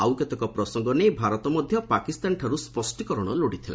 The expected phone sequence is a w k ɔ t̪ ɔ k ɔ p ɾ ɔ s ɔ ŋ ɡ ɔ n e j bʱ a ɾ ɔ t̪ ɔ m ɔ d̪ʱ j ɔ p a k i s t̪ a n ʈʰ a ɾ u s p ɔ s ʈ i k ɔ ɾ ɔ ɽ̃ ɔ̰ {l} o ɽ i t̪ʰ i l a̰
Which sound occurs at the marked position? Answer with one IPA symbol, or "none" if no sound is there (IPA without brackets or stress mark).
l